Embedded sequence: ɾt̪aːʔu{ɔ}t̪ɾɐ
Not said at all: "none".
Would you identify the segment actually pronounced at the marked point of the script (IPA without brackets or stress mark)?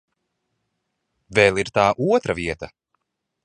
ɔ